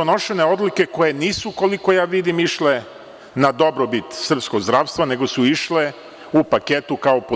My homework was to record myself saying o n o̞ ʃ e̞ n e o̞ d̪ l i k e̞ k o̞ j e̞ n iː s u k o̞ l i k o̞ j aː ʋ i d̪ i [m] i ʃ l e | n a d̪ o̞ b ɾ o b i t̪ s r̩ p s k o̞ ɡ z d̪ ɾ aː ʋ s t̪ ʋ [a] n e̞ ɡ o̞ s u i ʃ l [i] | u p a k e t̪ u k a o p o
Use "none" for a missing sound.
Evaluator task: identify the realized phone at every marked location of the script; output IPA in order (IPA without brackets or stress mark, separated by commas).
m, a, e